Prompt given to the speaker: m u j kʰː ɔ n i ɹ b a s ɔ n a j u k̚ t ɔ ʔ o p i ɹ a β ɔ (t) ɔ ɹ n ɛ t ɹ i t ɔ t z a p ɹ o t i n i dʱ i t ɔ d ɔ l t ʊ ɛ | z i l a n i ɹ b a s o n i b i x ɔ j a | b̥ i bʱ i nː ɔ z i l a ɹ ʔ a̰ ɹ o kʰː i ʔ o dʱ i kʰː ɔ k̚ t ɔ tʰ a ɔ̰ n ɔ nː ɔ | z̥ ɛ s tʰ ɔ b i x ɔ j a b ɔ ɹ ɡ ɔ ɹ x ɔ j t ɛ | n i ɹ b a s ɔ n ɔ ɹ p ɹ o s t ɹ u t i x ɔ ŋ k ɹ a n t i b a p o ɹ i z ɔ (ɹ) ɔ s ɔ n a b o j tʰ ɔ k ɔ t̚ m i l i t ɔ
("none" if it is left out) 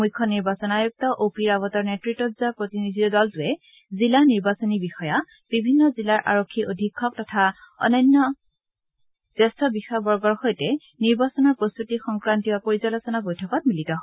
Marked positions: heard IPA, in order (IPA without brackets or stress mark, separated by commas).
t, l